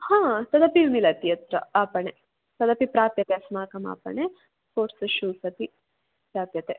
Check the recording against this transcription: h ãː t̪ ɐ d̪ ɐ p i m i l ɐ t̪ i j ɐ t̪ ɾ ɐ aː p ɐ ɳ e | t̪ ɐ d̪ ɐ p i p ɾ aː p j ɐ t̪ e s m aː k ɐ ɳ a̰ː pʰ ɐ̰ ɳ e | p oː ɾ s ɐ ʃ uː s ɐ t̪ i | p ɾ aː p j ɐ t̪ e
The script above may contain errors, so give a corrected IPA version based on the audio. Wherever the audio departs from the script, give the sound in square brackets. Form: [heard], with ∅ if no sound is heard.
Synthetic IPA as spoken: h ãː t̪ ɐ d̪ ɐ p i m i l ɐ t̪ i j ɐ t̪ ɾ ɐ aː p ɐ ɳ e | t̪ ɐ d̪ ɐ p i p ɾ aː p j ɐ t̪ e s m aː k ɐ [m] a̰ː [p] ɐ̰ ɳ e | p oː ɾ s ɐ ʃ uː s ɐ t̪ i | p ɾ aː p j ɐ t̪ e